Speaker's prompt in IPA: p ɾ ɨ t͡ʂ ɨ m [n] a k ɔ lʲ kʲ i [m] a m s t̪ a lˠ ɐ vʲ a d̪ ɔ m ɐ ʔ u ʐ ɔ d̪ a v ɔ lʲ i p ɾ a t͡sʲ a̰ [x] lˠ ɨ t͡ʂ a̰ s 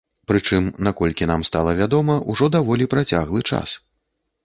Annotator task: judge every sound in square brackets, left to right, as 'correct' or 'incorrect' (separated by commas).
correct, incorrect, incorrect